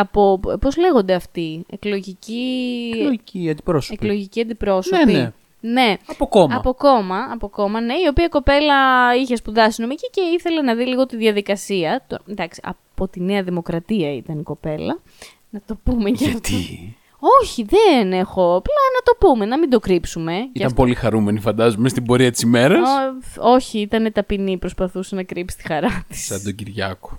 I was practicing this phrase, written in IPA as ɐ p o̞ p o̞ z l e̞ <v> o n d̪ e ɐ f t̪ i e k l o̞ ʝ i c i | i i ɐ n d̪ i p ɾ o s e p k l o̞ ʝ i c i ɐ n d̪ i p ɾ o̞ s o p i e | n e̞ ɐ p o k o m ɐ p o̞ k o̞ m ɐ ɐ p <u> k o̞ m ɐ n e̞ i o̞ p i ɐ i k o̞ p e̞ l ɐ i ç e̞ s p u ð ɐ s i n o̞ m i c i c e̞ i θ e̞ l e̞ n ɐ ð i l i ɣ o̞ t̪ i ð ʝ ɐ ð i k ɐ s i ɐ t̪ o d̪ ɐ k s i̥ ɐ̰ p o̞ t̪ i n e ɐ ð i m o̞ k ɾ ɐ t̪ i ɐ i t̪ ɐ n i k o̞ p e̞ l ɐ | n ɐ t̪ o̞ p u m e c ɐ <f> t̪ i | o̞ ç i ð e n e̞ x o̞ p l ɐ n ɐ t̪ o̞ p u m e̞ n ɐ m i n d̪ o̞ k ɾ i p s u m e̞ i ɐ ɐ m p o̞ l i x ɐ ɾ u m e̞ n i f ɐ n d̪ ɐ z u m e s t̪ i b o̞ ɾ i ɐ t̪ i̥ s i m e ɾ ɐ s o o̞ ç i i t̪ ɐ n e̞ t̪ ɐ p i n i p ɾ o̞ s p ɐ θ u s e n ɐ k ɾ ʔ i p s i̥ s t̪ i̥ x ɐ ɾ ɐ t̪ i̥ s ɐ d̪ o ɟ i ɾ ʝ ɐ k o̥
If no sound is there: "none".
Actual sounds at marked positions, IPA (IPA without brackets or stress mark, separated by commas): ɣ, o, f